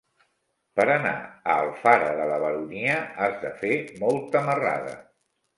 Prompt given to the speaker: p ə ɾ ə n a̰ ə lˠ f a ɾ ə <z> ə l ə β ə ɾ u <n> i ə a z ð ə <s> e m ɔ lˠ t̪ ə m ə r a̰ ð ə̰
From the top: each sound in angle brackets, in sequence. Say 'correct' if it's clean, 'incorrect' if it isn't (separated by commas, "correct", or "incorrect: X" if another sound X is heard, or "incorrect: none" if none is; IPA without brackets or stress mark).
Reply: incorrect: ð, correct, incorrect: f